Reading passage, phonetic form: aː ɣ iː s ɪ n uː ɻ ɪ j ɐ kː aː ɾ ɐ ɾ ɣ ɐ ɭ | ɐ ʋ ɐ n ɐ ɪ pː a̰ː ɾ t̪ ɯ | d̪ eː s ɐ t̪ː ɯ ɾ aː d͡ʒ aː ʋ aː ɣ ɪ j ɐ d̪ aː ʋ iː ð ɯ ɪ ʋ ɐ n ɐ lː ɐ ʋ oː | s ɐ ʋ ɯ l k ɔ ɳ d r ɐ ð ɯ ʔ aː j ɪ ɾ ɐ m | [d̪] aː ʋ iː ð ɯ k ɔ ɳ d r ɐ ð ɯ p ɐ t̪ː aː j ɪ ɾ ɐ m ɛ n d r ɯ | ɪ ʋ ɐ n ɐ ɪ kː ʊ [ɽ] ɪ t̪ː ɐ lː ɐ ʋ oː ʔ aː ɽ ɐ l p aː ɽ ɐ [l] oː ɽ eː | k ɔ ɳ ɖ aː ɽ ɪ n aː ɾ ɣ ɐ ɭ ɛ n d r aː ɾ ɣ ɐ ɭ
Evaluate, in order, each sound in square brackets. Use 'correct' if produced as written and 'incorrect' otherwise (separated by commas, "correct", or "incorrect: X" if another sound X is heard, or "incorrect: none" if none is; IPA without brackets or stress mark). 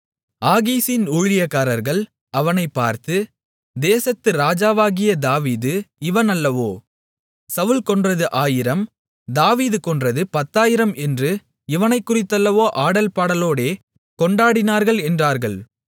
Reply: correct, incorrect: r, correct